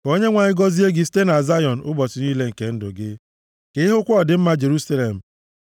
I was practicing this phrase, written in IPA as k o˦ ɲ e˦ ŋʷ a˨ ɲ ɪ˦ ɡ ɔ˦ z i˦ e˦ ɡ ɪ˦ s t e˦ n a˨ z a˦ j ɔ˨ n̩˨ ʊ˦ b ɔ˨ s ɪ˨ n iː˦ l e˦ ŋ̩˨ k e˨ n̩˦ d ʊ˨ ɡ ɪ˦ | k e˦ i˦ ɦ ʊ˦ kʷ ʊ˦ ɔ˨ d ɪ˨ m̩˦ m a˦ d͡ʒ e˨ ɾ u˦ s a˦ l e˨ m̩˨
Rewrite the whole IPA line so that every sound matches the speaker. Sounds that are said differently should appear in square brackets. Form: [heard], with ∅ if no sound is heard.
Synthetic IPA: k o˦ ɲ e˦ ŋʷ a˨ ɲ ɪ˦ ɡ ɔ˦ z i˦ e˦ ɡ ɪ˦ s t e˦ n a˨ z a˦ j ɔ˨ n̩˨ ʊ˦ b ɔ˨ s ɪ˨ n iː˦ l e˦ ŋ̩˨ k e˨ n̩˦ d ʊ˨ ɡ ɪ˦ | k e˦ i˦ ɦ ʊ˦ kʷ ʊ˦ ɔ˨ d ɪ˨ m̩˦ m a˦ d͡ʒ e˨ ɾ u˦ s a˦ l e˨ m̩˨